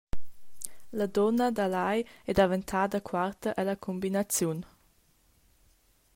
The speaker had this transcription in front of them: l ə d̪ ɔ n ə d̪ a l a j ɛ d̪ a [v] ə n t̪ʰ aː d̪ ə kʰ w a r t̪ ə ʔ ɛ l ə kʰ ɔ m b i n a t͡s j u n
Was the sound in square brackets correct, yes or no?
yes